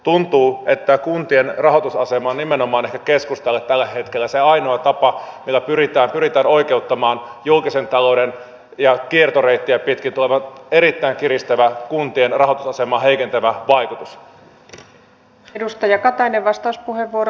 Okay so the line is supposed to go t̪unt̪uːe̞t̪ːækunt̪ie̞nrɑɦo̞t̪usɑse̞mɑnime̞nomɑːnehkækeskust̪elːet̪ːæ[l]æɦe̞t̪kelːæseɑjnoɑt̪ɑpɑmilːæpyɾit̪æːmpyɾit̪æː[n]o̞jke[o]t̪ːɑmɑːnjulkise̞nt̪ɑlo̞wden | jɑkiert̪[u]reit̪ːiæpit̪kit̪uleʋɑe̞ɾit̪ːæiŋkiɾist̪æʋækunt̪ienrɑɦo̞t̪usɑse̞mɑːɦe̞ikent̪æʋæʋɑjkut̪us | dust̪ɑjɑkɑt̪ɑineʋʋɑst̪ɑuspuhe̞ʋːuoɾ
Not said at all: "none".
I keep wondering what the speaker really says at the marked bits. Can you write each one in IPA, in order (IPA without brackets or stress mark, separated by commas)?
lː, n, u, o